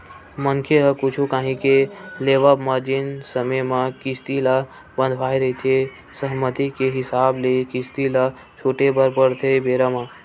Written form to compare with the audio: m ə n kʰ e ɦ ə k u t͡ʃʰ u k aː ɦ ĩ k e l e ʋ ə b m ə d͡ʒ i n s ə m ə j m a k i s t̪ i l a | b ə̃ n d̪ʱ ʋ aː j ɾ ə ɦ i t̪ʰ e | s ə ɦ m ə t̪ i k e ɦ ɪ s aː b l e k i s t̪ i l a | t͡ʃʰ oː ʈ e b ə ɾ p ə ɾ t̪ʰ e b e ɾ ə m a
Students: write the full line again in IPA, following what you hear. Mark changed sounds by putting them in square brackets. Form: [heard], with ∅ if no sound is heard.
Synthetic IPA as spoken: m ə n kʰ e ɦ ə k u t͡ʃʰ u k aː ɦ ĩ k e l e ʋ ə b m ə d͡ʒ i n s ə m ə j m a k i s t̪ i l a | b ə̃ n d̪ʱ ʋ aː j ɾ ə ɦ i t̪ʰ e | s ə ɦ m ə t̪ i k e ɦ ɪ s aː b l e k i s t̪ i l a | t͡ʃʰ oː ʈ e b ə ɾ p ə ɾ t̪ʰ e b e ɾ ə m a